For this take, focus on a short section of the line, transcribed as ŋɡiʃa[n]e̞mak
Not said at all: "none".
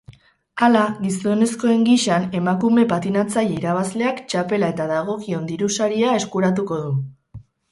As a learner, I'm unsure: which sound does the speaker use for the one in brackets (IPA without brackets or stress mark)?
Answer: n